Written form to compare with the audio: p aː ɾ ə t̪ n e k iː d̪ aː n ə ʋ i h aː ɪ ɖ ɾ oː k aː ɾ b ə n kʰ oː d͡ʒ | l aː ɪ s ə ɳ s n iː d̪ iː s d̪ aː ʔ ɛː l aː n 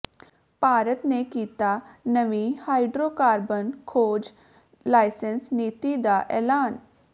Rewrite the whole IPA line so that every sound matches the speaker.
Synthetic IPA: p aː ɾ ə t̪ n e k iː t̪ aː n ə ʋ i h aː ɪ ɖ ɾ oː k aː ɾ b ə n kʰ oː d͡ʒ | l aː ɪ s ə n s n iː t̪ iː d̪ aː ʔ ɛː l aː n